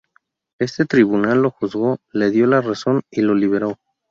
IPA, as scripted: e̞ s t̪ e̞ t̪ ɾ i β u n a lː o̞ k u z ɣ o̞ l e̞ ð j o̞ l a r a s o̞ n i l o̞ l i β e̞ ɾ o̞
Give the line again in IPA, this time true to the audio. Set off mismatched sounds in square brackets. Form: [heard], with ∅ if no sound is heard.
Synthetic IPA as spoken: e̞ s t̪ e̞ t̪ ɾ i β u n a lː o̞ [x] u z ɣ o̞ l e̞ ð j o̞ l a r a s o̞ n i l o̞ l i β e̞ ɾ o̞